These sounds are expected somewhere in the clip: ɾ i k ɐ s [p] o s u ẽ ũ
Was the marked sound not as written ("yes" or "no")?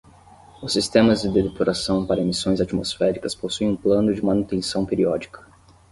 no